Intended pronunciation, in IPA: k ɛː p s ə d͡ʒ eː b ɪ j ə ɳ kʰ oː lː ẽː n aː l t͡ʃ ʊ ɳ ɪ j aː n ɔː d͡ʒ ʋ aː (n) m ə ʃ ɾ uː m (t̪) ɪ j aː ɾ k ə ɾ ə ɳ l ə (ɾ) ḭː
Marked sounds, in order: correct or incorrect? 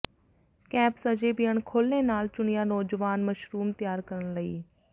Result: correct, correct, incorrect: none

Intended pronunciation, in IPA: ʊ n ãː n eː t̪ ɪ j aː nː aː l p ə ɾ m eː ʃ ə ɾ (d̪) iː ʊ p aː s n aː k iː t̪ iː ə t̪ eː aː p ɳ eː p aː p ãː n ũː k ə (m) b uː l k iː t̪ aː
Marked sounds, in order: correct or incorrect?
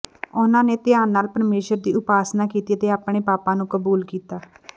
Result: correct, incorrect: none

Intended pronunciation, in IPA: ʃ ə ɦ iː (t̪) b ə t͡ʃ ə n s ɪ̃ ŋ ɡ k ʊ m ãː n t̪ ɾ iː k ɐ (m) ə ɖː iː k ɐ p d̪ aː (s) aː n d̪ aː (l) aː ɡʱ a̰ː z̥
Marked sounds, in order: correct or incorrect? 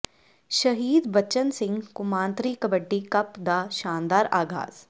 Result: incorrect: d̪, incorrect: b, incorrect: ʃ, incorrect: ɾ

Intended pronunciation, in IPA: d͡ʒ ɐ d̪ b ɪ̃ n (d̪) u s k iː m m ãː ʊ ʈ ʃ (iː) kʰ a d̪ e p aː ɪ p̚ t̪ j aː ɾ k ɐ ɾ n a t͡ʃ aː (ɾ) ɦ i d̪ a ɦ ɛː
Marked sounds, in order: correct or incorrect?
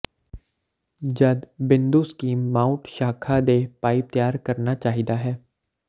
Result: correct, incorrect: aː, incorrect: none

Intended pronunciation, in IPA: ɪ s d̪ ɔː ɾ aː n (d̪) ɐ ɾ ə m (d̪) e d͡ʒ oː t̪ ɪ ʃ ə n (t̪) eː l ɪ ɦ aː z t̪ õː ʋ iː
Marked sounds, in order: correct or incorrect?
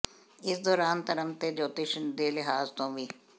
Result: incorrect: t̪, incorrect: t̪, incorrect: d̪

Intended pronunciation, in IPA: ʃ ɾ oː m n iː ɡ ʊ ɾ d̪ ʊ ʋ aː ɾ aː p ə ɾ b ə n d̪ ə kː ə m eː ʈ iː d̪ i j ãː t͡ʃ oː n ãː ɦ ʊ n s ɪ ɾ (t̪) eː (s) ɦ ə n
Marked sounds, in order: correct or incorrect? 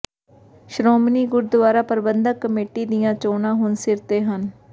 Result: correct, incorrect: none

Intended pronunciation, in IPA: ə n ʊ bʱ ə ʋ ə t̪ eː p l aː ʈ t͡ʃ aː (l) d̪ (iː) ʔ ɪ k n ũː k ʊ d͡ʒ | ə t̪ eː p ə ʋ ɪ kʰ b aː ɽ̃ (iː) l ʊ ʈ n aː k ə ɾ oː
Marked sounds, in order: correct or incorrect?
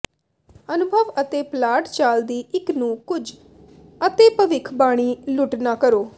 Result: correct, correct, correct

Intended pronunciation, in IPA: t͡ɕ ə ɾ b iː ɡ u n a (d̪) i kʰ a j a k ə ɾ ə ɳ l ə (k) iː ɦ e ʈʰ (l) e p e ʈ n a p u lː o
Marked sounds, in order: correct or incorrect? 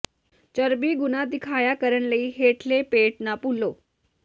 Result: correct, incorrect: none, correct

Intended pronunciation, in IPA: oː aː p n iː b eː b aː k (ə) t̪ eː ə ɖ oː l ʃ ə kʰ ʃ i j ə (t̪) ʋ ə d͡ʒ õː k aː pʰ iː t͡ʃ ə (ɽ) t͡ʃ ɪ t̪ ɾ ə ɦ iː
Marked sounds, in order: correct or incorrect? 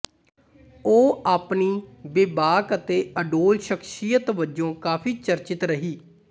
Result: correct, correct, incorrect: ɾ

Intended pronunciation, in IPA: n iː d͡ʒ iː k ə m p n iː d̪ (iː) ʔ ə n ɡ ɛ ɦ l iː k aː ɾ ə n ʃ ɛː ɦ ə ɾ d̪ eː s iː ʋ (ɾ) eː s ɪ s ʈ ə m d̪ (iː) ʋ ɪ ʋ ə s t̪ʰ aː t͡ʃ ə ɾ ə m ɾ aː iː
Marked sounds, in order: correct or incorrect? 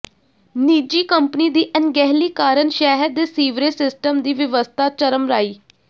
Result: correct, correct, correct

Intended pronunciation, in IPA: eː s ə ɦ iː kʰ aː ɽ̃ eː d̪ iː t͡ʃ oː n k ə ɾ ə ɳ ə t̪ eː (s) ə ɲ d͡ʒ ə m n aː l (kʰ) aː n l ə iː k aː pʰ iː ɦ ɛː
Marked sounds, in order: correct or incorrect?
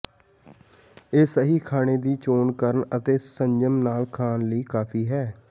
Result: correct, correct

